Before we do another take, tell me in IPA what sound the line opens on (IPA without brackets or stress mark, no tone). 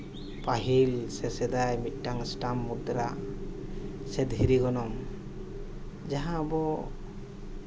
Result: p